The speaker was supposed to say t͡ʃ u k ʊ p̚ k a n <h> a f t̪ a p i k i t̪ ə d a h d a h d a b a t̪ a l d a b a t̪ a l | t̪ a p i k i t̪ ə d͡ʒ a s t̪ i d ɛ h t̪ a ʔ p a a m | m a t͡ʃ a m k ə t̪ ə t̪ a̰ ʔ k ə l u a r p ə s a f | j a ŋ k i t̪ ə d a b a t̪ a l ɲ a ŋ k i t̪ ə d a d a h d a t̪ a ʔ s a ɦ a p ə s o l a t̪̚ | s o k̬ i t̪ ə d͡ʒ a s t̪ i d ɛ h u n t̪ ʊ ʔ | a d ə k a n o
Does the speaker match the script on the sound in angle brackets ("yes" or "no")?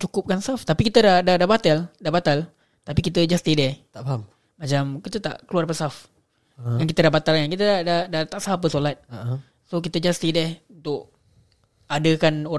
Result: no